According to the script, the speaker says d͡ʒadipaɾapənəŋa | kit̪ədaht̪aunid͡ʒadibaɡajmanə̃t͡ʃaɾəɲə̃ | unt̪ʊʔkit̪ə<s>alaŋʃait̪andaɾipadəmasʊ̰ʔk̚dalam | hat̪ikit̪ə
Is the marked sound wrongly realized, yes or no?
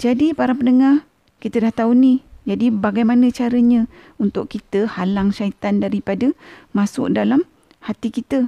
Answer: yes